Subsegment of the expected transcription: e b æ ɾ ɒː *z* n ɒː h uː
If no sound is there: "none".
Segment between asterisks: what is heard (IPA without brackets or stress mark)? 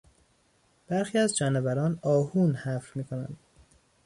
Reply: none